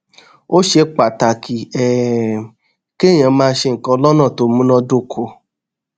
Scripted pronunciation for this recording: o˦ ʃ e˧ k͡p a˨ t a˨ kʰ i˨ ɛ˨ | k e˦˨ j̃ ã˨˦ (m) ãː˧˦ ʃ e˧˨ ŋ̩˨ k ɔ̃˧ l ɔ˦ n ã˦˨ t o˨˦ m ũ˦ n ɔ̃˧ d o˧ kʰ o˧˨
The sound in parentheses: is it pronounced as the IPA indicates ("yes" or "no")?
yes